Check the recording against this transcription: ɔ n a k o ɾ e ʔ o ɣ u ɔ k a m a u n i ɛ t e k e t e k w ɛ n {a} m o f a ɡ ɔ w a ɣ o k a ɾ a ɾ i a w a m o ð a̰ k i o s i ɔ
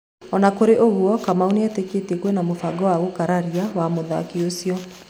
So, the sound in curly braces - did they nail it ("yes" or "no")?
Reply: yes